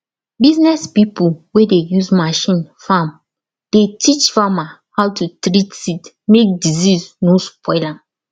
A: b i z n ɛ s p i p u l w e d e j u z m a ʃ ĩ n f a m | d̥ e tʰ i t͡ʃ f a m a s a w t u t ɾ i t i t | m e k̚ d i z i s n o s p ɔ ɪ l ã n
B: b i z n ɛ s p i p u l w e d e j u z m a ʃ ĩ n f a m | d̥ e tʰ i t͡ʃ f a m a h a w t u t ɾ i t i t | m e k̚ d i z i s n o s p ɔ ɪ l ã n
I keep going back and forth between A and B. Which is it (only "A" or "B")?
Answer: B